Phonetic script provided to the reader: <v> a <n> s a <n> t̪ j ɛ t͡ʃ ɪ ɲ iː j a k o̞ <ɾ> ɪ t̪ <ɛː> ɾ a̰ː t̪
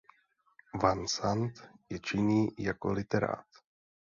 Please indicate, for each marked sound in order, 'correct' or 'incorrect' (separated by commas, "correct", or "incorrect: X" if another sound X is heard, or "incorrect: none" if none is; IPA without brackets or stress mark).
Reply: correct, correct, correct, incorrect: l, incorrect: ɛ